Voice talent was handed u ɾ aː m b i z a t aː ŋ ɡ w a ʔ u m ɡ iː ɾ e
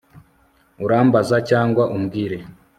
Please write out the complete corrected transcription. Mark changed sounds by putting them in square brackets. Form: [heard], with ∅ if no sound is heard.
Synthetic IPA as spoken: u ɾ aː m b [a] z a [c] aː ŋ ɡ w a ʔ u m ɡ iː ɾ e

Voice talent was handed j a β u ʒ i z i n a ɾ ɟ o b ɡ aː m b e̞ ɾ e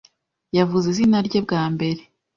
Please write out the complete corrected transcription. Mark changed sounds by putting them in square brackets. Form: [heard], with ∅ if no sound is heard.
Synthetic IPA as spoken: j a [v] u [z] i z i n a ɾ ɟ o b ɡ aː m b e̞ ɾ e

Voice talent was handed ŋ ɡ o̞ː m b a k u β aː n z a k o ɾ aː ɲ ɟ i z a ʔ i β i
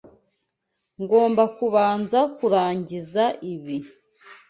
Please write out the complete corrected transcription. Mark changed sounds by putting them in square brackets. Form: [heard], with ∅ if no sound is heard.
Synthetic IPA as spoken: ŋ ɡ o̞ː m b a k u β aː n z a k [u] ɾ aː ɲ ɟ i z a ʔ i β i

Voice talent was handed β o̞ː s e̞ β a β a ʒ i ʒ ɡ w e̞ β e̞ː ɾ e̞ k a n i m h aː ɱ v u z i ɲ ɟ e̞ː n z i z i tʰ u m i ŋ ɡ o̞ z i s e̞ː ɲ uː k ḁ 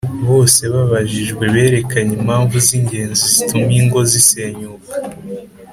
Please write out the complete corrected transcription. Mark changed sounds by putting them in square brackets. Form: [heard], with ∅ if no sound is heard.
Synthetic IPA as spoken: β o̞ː s e̞ β a β a ʒ i ʒ ɡ w e̞ β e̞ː ɾ e̞ k a [ɲ] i m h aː ɱ v u z i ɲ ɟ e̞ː n z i z i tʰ u m i ŋ ɡ o̞ z i s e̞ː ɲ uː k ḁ

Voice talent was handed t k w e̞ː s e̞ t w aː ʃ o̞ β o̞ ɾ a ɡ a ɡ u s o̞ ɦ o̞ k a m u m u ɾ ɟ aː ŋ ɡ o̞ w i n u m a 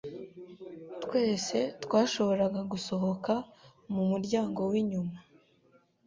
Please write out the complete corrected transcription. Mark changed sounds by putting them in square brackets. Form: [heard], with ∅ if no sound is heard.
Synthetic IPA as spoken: t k w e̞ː s e̞ t w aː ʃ o̞ β o̞ ɾ a ɡ a ɡ u s o̞ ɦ o̞ k a m u m u ɾ ɟ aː ŋ ɡ o̞ w i [ɲ] u m a

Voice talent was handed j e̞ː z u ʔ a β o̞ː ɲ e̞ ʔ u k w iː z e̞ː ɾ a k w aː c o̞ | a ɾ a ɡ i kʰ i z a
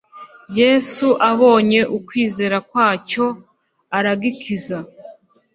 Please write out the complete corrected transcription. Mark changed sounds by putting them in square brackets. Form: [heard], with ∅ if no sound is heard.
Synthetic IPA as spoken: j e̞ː [s] u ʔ a β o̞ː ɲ e̞ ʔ u k w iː z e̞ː ɾ a k w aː c o̞ | a ɾ a ɡ i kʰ i z a

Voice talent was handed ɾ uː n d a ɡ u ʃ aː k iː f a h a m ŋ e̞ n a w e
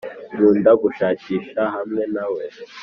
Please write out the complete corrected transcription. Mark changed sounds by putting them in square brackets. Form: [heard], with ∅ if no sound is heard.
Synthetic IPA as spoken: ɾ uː n d a ɡ u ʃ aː [c] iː [ʃ] a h a m ŋ e̞ n a w e

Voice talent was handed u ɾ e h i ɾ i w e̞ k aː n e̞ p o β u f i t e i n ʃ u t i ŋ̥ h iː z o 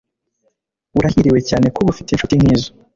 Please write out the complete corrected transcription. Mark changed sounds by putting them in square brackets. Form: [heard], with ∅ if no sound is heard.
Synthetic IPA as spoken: u ɾ [a] h i ɾ i w e̞ [c] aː n e̞ [k] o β u f i t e i n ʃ u t i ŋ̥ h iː z o

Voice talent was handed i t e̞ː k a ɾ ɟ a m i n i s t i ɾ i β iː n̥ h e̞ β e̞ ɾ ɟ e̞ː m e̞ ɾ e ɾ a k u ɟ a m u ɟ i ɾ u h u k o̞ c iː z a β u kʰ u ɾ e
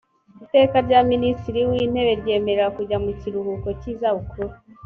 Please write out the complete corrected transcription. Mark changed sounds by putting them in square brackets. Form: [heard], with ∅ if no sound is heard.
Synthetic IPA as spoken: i t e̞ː k a ɾ ɟ a m i n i s t i ɾ i [w] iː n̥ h e̞ β e̞ ɾ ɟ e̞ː m e̞ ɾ e ɾ a k u ɟ a m u [c] i ɾ u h u k o̞ c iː z a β u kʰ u ɾ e

